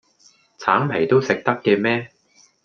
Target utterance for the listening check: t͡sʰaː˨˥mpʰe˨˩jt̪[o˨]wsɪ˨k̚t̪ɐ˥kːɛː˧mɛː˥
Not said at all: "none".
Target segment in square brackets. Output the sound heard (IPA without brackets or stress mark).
o˥